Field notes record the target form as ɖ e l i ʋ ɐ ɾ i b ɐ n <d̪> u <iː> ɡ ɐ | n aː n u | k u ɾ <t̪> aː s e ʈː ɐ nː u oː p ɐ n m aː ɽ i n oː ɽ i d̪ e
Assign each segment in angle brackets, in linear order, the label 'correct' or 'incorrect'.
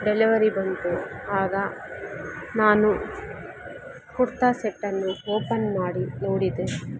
incorrect, incorrect, correct

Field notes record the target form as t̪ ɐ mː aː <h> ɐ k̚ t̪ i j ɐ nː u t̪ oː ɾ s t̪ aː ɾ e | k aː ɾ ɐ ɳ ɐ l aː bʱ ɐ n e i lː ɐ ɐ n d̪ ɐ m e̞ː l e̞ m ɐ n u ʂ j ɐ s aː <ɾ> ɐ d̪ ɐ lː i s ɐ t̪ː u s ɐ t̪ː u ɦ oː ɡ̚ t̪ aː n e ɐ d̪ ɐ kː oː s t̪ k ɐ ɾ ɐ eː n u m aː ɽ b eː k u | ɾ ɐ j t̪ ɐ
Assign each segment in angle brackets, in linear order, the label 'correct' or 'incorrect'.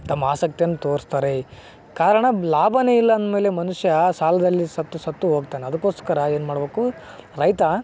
incorrect, incorrect

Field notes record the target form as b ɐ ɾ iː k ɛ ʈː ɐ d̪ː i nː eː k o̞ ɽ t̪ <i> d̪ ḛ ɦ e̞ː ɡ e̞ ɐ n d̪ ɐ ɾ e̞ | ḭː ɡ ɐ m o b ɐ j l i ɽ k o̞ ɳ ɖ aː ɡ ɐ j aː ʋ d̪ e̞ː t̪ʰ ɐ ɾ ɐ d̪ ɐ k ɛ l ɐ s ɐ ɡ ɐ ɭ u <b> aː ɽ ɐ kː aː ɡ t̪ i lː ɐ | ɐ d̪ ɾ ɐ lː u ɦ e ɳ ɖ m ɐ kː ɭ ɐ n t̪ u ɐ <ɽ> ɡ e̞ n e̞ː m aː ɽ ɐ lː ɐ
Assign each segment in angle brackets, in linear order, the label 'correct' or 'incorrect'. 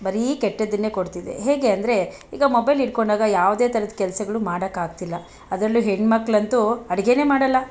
correct, incorrect, correct

